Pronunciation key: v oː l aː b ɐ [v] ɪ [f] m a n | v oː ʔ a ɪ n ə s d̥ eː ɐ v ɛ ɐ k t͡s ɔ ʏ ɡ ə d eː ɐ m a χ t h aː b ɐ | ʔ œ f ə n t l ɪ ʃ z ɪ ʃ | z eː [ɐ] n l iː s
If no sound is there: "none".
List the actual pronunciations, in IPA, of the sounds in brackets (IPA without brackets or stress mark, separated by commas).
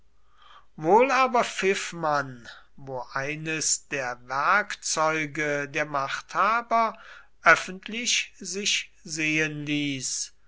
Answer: f, f, ə